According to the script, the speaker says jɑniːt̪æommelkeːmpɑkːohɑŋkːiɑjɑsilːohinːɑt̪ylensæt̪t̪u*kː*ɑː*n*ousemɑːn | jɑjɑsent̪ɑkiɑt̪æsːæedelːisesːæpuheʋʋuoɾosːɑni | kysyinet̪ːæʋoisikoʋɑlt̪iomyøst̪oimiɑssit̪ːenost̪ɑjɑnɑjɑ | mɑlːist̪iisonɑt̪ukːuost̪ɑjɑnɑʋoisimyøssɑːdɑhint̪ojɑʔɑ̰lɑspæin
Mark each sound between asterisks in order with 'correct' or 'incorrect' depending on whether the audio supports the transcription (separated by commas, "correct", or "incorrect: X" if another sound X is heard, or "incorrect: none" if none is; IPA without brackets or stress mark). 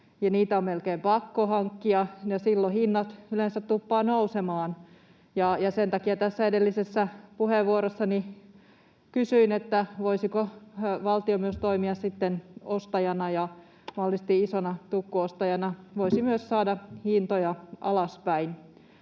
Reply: incorrect: pː, correct